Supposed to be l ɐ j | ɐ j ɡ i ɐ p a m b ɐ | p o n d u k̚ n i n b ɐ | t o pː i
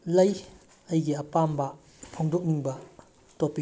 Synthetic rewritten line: l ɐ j | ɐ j ɡ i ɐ p a m b ɐ | pʰ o ŋ d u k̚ n i ŋ b ɐ | t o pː i